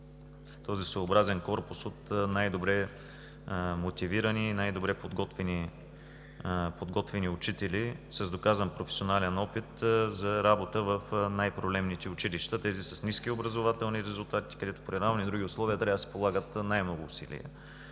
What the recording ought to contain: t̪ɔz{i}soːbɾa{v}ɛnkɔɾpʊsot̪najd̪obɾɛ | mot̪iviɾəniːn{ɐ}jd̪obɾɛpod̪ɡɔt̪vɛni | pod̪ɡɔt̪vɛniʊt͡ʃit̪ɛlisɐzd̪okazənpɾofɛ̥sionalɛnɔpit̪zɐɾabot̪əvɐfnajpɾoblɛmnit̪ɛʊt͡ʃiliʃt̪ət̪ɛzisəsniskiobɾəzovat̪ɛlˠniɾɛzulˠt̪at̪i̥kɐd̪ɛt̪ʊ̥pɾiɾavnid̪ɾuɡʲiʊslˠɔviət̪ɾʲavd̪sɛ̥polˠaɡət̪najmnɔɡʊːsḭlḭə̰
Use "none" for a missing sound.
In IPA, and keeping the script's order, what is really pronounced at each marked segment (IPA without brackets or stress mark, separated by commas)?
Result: i, z, a